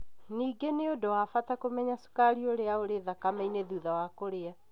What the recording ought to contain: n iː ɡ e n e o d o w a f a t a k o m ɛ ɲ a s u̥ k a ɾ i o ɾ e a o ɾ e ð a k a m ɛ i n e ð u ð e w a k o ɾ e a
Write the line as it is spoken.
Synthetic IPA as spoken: n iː ɡ e n e o d o w a f a t a k o m ɛ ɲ a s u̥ k a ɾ i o ɾ e a o ɾ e ð a k a m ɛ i n e ð u ð a w a k o ɾ e a